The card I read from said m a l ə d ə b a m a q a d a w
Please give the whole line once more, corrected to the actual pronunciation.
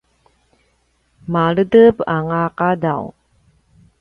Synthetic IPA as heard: m a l ə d ə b a ŋ a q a d a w